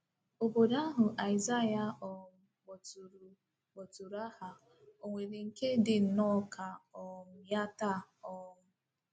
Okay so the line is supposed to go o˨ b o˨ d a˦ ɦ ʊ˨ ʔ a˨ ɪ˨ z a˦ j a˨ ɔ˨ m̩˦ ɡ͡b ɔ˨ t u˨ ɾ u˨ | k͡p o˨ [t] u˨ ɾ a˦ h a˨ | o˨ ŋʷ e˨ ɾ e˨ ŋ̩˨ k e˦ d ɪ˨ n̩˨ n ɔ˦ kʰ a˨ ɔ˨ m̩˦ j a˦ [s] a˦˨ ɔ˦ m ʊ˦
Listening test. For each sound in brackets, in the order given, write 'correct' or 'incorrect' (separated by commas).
correct, incorrect